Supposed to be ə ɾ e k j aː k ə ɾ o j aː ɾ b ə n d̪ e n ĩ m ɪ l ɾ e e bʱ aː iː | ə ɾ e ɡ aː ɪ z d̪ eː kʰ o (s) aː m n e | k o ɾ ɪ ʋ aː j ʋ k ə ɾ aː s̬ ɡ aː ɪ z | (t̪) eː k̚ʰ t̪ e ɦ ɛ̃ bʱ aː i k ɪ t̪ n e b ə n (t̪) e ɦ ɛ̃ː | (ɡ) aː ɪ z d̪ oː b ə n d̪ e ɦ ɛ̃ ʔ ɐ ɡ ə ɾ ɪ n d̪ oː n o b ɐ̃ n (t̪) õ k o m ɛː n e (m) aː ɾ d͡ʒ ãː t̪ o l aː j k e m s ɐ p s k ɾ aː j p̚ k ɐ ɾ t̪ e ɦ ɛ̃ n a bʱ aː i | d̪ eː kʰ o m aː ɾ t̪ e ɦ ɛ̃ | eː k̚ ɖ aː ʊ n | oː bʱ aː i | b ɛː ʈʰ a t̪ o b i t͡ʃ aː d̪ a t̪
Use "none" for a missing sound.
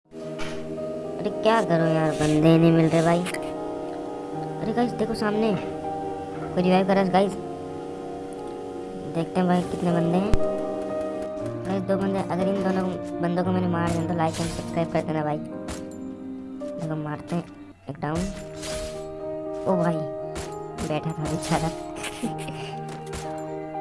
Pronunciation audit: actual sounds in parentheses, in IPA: s, d̪, d̪, ɡ, d̪, m

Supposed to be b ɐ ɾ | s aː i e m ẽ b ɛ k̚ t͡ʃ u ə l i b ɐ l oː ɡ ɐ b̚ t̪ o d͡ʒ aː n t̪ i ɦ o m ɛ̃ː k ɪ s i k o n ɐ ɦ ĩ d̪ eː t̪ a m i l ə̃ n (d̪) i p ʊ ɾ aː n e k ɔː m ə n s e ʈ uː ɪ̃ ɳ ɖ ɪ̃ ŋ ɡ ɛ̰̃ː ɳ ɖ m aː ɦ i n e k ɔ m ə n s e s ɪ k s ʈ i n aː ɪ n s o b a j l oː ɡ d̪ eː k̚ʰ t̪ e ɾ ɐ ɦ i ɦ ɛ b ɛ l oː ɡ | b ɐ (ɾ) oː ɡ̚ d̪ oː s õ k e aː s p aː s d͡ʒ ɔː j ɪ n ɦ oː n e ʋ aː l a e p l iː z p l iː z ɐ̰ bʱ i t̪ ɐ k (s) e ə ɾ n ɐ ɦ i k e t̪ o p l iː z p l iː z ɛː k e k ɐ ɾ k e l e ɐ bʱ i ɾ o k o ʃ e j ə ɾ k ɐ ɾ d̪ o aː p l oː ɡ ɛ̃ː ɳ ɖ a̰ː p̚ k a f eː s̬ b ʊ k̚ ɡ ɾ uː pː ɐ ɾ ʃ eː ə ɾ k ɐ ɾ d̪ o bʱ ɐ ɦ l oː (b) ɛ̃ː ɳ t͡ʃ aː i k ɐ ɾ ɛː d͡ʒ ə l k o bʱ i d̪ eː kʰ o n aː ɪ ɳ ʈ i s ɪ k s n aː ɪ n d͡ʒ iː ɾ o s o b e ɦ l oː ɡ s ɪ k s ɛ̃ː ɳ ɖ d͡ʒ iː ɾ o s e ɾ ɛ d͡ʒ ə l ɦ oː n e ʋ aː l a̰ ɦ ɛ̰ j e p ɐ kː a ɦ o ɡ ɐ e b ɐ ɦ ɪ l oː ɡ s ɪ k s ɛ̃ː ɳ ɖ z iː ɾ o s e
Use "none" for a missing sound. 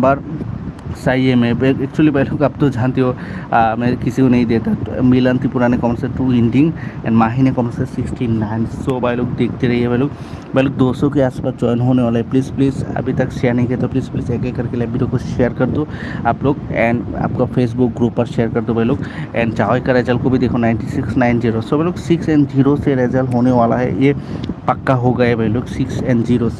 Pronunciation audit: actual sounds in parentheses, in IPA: t̪, l, ʃ, ɡ

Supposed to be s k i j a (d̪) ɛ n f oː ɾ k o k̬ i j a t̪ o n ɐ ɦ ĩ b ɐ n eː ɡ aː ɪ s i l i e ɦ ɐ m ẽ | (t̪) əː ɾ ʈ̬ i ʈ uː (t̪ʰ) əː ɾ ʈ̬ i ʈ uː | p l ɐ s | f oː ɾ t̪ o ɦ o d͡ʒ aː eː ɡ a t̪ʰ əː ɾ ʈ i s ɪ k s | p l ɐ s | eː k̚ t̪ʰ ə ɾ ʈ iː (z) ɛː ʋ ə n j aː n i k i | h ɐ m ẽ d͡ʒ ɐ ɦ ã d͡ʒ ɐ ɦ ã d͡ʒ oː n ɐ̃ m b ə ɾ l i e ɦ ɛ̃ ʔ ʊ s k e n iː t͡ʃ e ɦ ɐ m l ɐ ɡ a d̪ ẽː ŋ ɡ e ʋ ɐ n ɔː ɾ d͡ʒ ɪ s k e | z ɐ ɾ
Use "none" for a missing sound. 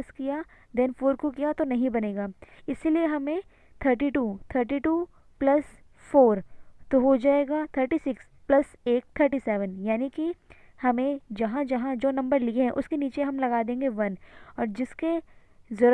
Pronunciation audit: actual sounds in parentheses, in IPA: d̪, t̪ʰ, t̪ʰ, s

